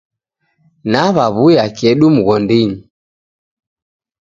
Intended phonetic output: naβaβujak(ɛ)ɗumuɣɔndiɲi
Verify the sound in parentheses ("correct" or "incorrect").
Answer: correct